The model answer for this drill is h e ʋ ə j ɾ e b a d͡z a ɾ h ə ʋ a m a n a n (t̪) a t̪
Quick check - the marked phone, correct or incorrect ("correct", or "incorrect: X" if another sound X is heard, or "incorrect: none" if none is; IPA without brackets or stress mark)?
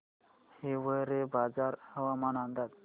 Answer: incorrect: d̪